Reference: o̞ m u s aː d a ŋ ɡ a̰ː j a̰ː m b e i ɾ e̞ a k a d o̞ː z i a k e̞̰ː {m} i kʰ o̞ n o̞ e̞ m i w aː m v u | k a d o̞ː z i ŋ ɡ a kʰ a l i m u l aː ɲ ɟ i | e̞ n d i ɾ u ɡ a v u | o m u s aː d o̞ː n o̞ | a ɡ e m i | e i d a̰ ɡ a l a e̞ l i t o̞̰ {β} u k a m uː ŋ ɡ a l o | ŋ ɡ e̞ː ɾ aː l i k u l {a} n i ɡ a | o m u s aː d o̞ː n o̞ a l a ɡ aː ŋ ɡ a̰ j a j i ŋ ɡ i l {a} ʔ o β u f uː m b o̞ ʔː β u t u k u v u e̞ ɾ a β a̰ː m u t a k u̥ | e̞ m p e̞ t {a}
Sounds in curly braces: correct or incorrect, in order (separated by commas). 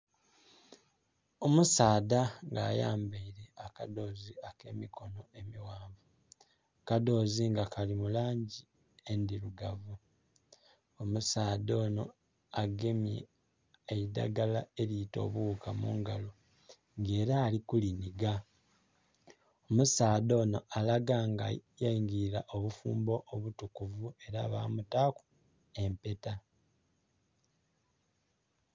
correct, correct, incorrect, correct, correct